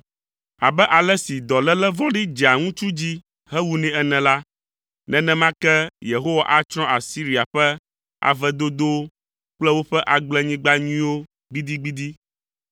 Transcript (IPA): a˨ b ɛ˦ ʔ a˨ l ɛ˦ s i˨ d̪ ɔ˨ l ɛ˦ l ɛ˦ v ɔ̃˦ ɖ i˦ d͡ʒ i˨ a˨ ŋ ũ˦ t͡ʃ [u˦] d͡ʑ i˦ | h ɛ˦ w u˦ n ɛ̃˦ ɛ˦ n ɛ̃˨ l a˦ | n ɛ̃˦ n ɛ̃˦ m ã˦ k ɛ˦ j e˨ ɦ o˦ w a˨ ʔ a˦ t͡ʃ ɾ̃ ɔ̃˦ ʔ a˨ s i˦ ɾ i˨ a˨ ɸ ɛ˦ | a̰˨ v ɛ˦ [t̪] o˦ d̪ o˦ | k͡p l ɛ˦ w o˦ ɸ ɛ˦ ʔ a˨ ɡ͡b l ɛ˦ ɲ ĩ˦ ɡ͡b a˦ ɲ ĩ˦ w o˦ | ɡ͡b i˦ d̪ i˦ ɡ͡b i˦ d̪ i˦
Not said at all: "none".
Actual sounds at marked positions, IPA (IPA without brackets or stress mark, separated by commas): u˦, d̪